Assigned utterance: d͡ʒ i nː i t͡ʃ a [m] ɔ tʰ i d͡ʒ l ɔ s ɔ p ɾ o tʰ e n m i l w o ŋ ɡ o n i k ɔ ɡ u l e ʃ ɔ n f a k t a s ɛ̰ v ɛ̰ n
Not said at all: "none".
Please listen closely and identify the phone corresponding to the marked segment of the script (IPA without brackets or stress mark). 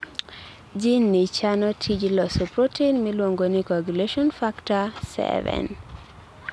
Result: n